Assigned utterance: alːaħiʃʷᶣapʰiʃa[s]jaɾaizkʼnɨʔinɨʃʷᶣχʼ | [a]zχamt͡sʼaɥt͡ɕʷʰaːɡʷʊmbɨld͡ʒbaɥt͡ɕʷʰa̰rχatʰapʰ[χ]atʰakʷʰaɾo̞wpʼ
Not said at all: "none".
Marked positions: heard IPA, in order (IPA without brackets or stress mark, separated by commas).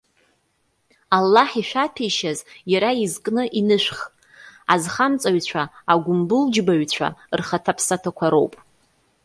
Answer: z, a, s